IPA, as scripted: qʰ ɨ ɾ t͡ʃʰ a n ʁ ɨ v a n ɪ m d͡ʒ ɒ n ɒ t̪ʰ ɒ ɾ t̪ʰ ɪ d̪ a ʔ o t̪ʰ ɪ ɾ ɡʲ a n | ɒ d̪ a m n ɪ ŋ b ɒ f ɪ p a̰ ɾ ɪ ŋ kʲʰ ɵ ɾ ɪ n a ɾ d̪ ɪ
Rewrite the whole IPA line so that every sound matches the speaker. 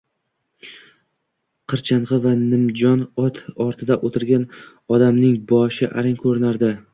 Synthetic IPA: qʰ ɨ ɾ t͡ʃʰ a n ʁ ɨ v a n ɪ m d͡ʒ ɒ n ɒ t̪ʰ ɒ ɾ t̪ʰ ɪ d̪ a ʔ o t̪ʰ ɪ ɾ ɡʲ a n | ɒ d̪ a m n ɪ ŋ b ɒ ʃ ɪ ʔ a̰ ɾ ɪ ŋ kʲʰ ɵ ɾ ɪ n a ɾ d̪ ɪ